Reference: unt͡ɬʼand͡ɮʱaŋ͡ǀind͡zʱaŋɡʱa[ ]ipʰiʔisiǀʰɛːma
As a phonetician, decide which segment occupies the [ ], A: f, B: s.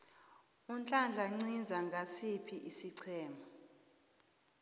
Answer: B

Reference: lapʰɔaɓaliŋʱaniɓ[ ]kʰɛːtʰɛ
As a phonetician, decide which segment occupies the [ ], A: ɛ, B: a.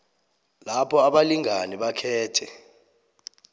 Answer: B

